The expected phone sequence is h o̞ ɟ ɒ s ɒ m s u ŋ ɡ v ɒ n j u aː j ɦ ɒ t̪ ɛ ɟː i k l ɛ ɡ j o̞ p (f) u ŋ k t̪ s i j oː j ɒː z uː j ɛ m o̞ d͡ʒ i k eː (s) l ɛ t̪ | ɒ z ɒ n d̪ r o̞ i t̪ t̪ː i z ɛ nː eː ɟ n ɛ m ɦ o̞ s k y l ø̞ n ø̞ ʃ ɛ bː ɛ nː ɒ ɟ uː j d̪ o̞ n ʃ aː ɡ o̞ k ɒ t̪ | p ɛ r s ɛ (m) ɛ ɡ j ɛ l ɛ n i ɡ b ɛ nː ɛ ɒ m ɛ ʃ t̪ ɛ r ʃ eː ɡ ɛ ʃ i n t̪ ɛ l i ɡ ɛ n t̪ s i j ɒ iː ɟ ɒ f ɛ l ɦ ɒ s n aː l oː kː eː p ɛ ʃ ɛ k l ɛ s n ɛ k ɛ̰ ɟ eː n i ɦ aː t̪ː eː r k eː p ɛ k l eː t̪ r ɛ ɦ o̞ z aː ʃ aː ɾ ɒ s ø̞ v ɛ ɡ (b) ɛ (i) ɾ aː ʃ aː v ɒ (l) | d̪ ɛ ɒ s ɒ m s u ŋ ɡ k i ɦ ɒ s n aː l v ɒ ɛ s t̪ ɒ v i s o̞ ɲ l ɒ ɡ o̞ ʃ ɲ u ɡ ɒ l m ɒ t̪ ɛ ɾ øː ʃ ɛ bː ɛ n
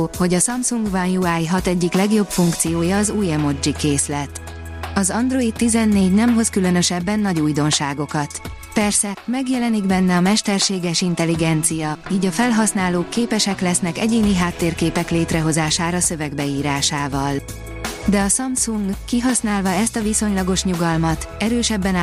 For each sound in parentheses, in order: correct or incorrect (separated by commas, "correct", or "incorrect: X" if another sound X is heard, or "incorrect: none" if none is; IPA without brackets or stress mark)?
correct, correct, correct, correct, incorrect: iː, correct